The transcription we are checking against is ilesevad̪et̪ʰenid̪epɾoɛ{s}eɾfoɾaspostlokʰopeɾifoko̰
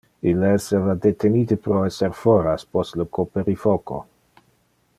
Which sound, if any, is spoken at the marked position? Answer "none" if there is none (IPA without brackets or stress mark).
s